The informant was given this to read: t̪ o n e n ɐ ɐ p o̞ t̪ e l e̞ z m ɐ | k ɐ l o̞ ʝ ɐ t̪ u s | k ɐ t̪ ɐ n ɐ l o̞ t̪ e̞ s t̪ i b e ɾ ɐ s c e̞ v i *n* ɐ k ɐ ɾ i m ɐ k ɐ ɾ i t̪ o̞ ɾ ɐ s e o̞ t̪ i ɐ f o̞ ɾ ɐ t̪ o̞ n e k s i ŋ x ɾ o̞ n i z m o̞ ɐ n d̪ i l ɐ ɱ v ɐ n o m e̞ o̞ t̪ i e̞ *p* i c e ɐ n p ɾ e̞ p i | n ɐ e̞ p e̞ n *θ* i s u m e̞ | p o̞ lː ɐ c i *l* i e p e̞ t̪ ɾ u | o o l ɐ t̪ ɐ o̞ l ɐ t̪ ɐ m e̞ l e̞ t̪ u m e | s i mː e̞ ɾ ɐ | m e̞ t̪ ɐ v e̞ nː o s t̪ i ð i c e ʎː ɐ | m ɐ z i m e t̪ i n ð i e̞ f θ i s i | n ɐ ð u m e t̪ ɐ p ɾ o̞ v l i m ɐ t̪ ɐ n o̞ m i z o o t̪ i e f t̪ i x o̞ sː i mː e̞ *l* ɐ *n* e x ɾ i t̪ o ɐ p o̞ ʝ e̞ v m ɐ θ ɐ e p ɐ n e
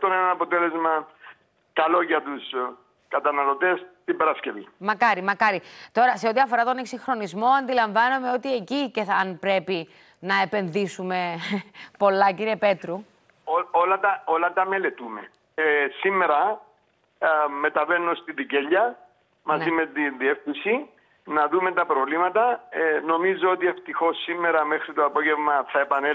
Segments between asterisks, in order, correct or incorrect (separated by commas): incorrect, incorrect, incorrect, incorrect, incorrect, incorrect